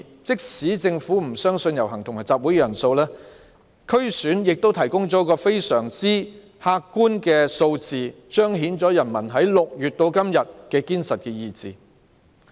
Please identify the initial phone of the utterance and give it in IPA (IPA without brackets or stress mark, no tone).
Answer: t͡s